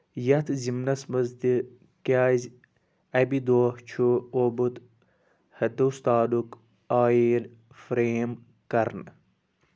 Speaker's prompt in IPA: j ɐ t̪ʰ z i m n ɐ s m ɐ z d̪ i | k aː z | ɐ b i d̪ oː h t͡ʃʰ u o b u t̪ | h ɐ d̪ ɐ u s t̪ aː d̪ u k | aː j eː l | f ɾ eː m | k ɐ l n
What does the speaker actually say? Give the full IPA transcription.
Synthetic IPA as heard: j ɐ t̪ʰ z i m n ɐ s m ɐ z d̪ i | k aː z | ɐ b i d̪ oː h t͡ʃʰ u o b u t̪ | h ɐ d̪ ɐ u s t̪ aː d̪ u k | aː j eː l | f ɾ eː m | k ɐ ɾ n